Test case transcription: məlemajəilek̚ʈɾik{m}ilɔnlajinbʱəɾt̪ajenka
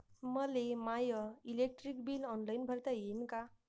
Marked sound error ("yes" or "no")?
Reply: yes